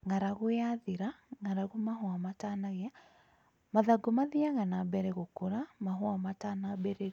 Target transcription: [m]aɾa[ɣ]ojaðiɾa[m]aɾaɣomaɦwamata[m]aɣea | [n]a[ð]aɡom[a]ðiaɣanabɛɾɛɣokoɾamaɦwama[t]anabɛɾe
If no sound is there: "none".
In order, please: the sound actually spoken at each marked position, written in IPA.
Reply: ŋ, ɣ, ŋ, n, m, ð, a, t

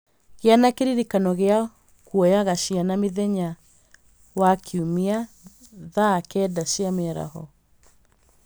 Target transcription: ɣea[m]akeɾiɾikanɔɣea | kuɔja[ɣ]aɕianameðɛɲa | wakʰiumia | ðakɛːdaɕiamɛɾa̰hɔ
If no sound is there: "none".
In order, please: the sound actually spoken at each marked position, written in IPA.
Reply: n, ɣ

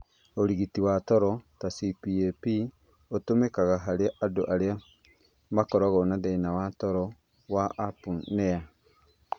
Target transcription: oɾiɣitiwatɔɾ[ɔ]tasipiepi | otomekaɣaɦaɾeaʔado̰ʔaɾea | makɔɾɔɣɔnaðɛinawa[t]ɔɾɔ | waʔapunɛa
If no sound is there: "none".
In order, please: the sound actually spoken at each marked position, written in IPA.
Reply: ɔ, t

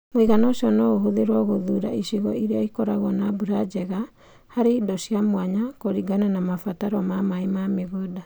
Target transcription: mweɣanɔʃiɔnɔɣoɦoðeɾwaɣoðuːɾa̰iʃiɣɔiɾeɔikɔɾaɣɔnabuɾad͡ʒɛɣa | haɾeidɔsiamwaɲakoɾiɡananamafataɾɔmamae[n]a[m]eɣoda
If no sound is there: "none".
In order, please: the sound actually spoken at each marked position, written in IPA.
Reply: m, m

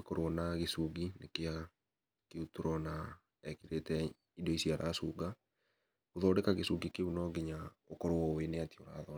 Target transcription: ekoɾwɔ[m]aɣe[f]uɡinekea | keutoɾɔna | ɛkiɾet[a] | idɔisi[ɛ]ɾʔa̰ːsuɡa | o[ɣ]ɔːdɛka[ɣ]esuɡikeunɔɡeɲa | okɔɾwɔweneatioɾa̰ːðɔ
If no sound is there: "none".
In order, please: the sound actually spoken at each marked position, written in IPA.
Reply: n, s, ɛ, a, ð, ɣ

